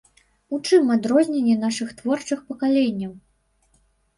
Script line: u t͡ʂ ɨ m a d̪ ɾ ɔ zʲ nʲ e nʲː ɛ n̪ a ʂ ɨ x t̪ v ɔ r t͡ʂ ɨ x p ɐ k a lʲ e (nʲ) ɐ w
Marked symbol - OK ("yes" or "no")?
no